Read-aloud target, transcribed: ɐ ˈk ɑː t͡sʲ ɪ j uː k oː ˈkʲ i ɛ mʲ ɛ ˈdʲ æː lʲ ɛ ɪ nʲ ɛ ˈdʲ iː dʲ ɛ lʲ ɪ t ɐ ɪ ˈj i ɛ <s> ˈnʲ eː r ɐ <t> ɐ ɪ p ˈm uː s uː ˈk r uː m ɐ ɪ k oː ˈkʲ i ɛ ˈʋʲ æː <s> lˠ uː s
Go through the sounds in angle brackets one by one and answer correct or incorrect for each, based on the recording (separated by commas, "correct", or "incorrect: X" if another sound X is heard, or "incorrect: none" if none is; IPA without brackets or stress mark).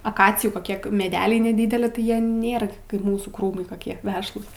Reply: incorrect: none, incorrect: k, incorrect: ʃ